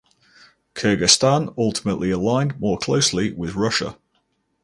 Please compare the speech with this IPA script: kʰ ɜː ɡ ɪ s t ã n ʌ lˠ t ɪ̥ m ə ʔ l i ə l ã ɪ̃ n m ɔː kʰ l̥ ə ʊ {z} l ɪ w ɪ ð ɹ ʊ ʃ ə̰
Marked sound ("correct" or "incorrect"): incorrect